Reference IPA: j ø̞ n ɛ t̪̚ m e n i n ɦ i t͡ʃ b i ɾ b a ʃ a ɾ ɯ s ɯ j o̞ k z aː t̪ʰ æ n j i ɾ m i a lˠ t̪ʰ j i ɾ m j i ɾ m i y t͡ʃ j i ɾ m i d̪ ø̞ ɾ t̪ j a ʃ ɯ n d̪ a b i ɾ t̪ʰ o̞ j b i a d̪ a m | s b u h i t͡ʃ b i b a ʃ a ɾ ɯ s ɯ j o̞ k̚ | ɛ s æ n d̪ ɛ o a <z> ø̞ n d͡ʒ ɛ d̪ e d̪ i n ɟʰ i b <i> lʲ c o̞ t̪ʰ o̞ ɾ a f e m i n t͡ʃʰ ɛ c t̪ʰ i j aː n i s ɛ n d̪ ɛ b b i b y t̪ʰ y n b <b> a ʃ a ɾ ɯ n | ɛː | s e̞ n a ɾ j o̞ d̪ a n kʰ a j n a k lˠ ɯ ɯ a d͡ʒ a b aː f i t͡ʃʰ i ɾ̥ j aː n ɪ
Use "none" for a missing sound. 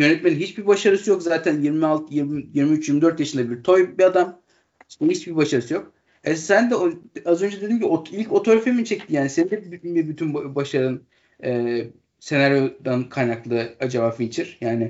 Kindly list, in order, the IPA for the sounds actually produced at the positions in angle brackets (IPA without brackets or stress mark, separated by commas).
z, i, b